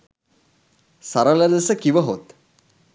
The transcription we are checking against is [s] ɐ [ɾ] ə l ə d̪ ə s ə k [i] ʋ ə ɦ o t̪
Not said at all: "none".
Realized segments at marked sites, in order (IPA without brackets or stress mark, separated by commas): s, ɾ, i